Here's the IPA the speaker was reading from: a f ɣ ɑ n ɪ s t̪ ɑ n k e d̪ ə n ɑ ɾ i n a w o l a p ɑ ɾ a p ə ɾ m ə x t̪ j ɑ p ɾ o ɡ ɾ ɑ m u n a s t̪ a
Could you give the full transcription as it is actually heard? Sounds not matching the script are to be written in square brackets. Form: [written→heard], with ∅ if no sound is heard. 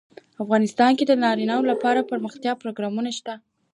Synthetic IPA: a f ɣ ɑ n ɪ s t̪ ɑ n k e d̪ ə n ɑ ɾ i n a w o l a p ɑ ɾ a p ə ɾ m ə x t̪ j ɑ p ɾ o ɡ ɾ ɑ m u n a [s→ʃ] t̪ a